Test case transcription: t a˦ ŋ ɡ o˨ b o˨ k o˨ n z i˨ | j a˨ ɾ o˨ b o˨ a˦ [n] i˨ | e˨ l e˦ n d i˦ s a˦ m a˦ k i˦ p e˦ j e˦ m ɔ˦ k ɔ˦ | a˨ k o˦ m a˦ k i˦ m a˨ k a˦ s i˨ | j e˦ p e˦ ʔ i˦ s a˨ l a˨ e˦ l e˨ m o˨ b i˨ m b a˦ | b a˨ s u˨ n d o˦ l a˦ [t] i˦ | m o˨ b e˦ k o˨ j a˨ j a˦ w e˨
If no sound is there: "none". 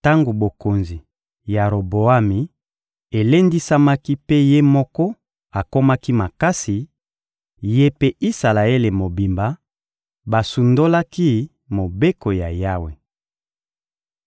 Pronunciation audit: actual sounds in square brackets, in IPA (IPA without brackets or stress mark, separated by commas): m, k